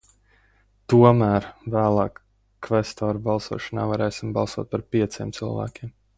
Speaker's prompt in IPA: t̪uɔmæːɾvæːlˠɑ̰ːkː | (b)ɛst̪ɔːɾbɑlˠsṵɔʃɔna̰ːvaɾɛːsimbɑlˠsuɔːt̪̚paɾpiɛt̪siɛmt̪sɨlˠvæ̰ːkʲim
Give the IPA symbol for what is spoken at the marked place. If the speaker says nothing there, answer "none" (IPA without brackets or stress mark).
v